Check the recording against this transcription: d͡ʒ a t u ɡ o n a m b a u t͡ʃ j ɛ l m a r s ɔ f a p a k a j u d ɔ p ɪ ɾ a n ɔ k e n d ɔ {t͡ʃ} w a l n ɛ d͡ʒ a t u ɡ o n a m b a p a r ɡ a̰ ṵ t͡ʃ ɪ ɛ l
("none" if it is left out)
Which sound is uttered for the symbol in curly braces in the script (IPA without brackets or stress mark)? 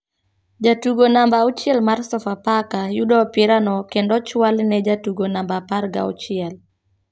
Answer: t͡ʃ